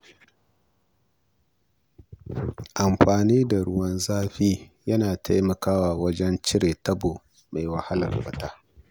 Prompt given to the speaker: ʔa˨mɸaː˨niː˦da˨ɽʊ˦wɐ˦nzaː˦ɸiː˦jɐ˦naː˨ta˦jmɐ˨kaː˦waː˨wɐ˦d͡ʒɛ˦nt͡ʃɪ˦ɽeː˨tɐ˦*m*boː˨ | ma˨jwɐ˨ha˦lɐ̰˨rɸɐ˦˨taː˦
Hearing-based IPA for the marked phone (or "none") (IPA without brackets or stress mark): none